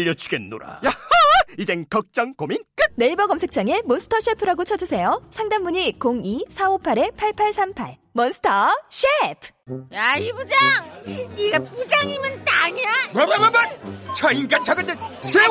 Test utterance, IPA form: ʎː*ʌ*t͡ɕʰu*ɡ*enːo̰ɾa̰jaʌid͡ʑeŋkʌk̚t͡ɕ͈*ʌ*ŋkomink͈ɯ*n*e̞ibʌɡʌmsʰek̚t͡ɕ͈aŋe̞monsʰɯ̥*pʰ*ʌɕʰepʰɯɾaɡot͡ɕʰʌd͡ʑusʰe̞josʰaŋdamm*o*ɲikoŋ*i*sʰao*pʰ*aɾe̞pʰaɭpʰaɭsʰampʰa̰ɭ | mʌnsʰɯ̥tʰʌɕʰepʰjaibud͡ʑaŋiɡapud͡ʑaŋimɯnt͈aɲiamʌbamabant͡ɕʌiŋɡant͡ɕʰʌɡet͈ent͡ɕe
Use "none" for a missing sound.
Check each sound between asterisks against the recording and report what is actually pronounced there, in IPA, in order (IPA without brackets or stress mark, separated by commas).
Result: ʌ, ɡ, ʌ, n, tʰ, u, i, pʰ